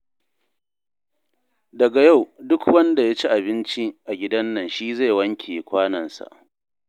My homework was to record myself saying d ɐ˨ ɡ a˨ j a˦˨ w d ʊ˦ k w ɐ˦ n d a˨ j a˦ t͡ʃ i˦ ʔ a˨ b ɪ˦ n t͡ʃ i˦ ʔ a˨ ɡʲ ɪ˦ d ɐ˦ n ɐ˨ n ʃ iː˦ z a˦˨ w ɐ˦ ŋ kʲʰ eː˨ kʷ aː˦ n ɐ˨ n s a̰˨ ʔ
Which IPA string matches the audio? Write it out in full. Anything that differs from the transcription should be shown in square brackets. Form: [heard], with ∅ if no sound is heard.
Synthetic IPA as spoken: d ɐ˨ ɡ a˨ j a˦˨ w d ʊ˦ k w ɐ˦ n d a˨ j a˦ t͡ʃ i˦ ʔ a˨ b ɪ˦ n t͡ʃ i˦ ʔ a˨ ɡʲ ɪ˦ d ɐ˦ [nː] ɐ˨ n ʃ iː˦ z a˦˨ w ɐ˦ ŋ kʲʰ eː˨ kʷ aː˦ n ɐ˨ n s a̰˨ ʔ